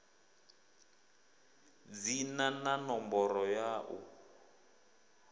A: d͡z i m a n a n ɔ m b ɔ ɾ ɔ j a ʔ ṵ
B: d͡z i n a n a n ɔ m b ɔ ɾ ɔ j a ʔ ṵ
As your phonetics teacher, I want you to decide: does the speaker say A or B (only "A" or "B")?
B